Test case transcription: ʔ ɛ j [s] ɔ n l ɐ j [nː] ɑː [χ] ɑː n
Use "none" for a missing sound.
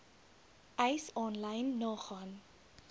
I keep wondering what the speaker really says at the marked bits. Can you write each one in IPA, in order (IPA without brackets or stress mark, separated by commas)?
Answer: s, nː, χ